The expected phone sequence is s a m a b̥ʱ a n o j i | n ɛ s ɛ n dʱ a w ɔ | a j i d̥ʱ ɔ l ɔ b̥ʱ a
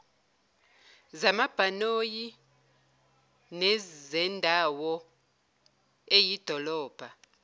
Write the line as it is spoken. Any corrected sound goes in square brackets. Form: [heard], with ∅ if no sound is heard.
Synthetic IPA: [z] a m a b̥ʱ a n o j i | n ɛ [z] ɛ n dʱ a w ɔ | [e] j i d̥ʱ ɔ l [ɔː] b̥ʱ a

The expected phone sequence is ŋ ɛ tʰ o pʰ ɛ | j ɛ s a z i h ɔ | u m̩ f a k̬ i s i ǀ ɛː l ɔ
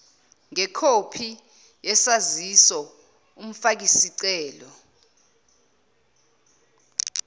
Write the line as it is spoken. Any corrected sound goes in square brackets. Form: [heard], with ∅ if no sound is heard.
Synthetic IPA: ŋ ɛ [kʰ] o pʰ [i] | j ɛ s a z i [s] ɔ | u m̩ f a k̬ i s i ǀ ɛː l ɔ

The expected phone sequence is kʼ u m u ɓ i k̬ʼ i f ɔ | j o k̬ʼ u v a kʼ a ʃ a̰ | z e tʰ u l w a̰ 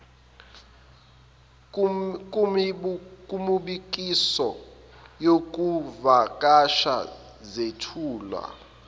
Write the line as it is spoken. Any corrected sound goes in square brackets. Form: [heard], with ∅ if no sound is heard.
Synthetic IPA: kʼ u m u ɓ i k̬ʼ i [s] ɔ | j o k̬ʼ u v a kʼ a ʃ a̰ | z e tʰ [uː] l w a̰

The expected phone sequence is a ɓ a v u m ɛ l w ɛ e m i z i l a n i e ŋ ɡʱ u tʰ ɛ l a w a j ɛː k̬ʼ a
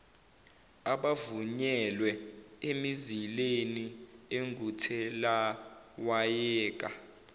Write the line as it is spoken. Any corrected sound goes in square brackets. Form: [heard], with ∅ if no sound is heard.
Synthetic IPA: a ɓ a v u [ɲ] ɛ l w ɛ e m i z i l [e] n i e ŋ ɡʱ u tʰ ɛ l a w a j ɛː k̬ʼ a

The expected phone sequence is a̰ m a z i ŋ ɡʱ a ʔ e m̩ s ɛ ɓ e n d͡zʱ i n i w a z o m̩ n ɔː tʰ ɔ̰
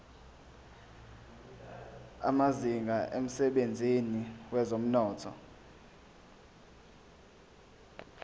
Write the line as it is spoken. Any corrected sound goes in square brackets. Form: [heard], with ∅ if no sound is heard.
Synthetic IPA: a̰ m a z i ŋ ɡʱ a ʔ e m̩ s ɛ ɓ e n d͡zʱ i n i w [ɛ] z o m̩ n ɔː tʰ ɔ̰

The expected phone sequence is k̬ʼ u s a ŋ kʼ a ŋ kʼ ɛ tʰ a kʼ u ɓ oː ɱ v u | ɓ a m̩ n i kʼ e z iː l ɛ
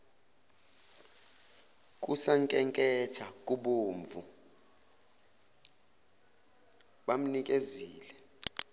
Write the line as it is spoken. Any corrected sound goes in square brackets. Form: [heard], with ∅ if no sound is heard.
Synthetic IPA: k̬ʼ u s a ŋ kʼ [ɛ] ŋ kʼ ɛ tʰ a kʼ u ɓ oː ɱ v u | ɓ a m̩ n i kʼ e z iː l ɛ

